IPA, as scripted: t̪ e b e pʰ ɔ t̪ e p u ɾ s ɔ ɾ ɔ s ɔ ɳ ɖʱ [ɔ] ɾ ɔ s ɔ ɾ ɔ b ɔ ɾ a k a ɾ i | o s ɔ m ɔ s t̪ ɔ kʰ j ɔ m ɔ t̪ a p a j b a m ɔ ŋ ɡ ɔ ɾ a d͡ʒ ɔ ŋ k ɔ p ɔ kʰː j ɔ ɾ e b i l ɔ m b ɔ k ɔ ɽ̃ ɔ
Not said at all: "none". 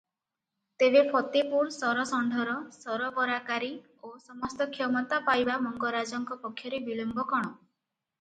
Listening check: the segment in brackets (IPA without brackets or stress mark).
ɔ